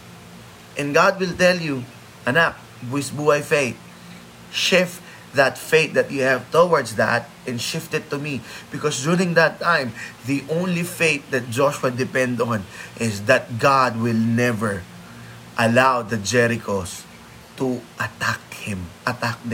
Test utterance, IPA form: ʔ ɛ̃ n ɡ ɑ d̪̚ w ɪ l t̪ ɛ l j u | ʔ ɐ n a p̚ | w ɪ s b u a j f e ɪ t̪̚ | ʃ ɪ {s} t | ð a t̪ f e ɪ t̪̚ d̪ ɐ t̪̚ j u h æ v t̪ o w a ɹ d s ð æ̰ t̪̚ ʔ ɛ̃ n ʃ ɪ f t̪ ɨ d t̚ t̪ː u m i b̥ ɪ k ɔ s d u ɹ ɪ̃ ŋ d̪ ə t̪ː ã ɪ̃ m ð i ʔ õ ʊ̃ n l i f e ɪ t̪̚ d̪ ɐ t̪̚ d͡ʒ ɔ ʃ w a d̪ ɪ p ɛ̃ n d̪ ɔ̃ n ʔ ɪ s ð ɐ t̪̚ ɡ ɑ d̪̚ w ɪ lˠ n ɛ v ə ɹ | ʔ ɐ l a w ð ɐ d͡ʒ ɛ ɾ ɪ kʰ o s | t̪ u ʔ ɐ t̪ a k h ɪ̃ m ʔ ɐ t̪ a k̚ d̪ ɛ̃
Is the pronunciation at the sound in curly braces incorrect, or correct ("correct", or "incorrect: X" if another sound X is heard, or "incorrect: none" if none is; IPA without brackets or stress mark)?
incorrect: f